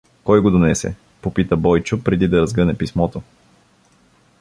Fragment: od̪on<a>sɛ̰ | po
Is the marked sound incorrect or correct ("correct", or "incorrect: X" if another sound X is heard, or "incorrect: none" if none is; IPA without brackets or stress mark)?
incorrect: ɛ